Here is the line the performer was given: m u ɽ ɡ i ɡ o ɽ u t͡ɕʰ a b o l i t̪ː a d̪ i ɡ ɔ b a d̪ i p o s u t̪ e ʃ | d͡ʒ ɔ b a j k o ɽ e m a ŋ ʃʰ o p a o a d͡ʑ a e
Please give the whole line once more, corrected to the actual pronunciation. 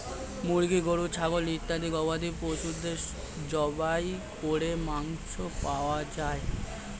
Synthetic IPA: m u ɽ ɡ i ɡ o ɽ u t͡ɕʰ a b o l i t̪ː a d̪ i ɡ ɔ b a d̪ i p o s u d̪ e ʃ | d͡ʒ ɔ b a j k o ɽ e m a ŋ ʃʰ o p a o a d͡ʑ a e